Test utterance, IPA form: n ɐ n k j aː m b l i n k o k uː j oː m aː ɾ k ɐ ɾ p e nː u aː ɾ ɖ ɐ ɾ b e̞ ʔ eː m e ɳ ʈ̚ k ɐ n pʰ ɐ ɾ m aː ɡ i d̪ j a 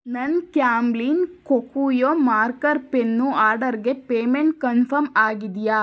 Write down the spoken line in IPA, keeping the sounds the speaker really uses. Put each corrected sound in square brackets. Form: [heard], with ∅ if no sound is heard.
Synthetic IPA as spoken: n ɐ n k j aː m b l i n k o k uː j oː m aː ɾ k ɐ ɾ p e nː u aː ɾ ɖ ɐ ɾ [ɡ] e̞ [p] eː m e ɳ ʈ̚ k ɐ n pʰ ɐ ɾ m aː ɡ i d̪ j a